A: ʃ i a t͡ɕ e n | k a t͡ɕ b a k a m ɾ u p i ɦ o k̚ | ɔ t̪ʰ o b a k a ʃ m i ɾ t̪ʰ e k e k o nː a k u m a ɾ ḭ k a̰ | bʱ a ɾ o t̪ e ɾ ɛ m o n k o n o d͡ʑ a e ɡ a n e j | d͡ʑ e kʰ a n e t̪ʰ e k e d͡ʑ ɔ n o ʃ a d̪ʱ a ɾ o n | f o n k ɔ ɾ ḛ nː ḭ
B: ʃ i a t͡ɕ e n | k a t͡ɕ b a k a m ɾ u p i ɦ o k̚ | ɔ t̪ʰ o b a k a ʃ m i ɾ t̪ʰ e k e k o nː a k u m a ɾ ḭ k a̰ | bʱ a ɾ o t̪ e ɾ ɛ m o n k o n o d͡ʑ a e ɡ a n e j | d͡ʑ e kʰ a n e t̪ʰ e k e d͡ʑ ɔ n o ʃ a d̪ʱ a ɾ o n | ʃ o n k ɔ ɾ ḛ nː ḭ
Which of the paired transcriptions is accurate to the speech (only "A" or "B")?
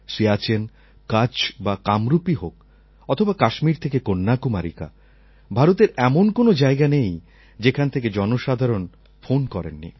A